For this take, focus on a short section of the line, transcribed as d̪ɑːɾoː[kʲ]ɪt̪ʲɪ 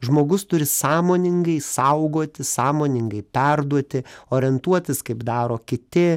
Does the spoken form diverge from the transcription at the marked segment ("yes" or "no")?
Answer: no